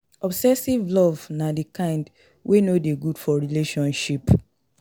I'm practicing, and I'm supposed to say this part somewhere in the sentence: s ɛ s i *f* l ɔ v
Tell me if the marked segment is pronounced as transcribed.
no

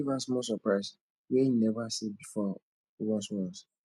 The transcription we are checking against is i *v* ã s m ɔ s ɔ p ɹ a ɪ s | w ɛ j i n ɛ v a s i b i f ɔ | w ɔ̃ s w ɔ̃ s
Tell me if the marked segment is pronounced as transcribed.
yes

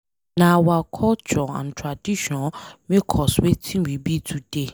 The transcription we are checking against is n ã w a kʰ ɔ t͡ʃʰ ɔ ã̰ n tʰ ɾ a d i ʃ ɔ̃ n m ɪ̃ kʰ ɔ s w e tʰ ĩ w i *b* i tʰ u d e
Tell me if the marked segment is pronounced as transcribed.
yes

